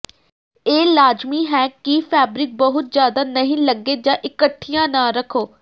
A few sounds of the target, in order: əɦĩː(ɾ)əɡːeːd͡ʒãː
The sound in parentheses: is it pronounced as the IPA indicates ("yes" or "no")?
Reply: no